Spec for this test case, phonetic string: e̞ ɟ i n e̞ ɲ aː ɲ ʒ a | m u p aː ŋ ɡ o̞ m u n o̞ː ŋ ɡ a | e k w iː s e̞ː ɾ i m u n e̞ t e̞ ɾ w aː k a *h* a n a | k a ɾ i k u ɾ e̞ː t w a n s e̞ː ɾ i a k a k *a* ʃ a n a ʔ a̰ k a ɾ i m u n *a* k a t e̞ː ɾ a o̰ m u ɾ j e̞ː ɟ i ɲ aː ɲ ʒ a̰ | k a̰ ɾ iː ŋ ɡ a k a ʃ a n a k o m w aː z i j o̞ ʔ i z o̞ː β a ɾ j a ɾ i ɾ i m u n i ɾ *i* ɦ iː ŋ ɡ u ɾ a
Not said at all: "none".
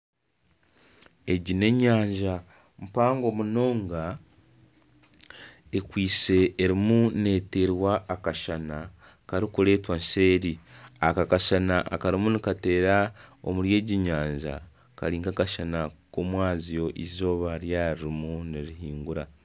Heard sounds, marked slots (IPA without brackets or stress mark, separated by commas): ʃ, a, i, i